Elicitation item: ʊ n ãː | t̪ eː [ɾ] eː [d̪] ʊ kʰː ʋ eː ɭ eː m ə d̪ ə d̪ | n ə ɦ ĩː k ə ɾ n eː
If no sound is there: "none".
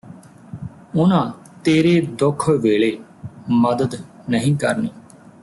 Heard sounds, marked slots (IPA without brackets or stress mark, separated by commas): ɾ, d̪